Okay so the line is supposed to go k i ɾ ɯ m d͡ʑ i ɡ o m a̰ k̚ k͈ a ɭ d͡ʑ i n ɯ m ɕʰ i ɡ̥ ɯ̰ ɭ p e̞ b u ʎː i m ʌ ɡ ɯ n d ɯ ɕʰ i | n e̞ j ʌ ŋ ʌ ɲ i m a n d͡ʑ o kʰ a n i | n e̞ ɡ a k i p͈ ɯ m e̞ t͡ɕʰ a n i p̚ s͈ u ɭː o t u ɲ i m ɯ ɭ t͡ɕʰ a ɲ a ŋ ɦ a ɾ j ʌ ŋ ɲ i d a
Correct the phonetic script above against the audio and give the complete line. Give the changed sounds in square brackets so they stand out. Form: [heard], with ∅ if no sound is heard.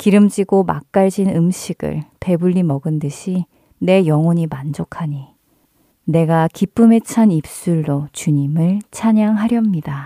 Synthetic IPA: k i ɾ ɯ m d͡ʑ i ɡ o m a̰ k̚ k͈ a ɭ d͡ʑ i n ɯ m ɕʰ i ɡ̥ ɯ̰ ɭ p e̞ b u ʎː i m ʌ ɡ ɯ n d ɯ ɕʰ i | n e̞ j ʌ ŋ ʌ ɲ i m a n d͡ʑ o kʰ a [ɲ] i | n e̞ ɡ a k i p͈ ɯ m e̞ t͡ɕʰ a n i p̚ s͈ u ɭː o [t͡ɕ] u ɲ i m ɯ ɭ t͡ɕʰ a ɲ a ŋ ɦ a ɾ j ʌ [m] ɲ i d a